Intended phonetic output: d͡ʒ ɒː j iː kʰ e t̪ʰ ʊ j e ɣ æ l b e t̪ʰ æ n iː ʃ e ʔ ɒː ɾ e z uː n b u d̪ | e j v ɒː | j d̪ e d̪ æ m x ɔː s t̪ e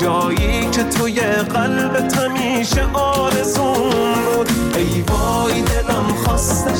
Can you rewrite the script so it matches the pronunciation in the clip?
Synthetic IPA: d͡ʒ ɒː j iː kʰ e t̪ʰ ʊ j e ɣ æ l b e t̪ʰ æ m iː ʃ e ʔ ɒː ɾ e z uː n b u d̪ | e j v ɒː | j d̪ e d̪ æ m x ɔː s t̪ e